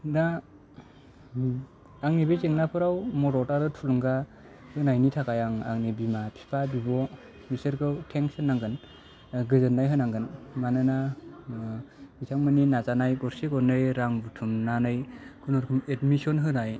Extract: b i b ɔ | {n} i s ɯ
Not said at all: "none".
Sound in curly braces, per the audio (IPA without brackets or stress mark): m